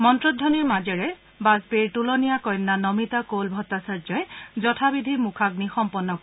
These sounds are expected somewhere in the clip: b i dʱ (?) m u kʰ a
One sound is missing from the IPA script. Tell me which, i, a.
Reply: i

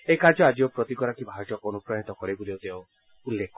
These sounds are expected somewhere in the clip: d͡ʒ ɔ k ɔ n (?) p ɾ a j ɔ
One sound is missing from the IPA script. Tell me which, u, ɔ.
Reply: u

